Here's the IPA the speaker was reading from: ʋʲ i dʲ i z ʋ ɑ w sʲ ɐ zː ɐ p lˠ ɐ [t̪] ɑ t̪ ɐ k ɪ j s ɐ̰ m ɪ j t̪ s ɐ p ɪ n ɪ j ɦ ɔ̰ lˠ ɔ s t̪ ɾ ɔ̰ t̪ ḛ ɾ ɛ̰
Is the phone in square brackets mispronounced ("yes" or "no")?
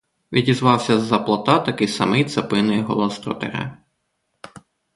no